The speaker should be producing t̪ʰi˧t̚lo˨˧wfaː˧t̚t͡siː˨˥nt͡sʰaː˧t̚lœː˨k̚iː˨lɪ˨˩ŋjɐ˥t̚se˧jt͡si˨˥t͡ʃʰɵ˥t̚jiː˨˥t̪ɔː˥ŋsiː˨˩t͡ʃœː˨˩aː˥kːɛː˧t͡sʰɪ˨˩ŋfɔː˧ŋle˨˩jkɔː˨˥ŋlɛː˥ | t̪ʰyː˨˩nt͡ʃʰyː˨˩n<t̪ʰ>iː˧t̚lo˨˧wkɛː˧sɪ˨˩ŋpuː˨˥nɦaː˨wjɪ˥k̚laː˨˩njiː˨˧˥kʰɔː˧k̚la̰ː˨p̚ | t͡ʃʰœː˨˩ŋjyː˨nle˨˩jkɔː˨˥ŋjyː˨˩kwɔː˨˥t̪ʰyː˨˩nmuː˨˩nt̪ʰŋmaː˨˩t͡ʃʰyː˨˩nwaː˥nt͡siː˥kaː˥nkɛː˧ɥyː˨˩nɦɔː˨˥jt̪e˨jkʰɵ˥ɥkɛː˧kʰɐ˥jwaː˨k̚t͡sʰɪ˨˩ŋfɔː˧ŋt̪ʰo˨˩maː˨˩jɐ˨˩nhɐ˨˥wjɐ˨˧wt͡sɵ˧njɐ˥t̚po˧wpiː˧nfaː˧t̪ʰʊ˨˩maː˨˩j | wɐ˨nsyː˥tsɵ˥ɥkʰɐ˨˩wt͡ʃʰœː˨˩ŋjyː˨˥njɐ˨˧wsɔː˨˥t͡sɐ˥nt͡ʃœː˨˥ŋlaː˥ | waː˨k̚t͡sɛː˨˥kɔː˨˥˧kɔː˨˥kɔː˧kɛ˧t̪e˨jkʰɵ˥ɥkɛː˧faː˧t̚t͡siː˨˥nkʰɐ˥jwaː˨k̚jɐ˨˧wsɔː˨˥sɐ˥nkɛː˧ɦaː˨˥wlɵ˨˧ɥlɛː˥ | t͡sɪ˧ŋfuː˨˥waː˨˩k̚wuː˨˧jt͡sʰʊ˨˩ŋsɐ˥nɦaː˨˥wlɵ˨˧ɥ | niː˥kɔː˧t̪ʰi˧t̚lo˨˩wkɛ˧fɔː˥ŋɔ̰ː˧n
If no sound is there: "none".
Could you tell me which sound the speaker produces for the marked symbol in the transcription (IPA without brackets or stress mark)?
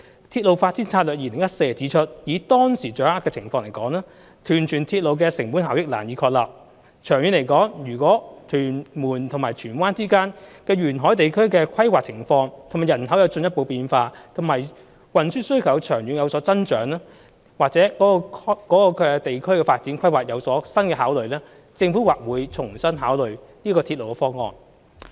t̪ʰ